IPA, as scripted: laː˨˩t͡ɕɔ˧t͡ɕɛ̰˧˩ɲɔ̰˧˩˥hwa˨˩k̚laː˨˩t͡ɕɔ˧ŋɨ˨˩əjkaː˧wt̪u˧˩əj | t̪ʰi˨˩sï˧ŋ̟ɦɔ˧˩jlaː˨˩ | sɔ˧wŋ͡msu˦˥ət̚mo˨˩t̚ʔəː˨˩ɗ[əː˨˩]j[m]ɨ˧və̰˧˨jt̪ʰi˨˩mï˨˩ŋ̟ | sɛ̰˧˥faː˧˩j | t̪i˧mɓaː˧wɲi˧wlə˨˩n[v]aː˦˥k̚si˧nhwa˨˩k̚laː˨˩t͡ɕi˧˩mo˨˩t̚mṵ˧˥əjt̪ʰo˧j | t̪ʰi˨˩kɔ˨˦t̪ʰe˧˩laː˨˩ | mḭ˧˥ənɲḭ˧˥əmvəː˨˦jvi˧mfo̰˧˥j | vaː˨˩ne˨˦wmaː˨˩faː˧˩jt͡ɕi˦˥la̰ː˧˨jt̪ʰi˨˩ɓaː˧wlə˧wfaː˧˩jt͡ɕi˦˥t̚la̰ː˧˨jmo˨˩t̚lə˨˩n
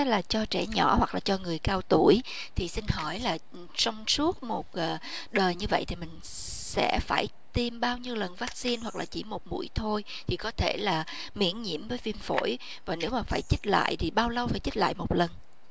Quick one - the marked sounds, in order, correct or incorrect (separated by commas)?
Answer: correct, incorrect, correct